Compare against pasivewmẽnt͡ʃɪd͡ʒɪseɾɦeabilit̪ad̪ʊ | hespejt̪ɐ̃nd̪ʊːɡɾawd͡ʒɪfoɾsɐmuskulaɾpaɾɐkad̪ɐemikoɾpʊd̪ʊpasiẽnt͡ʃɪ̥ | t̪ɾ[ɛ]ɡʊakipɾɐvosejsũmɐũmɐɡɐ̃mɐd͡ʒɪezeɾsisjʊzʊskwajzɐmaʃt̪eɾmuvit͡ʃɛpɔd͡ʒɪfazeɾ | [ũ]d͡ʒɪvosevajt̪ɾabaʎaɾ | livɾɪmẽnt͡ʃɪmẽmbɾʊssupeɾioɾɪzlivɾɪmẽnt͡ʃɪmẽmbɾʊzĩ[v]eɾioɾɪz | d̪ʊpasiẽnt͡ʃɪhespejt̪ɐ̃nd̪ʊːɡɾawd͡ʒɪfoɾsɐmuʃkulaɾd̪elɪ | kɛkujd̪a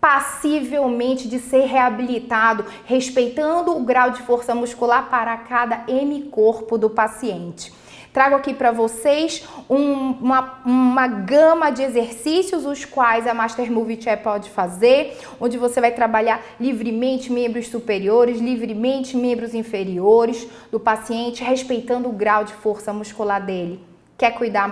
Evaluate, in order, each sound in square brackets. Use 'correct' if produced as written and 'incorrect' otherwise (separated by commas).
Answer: incorrect, incorrect, incorrect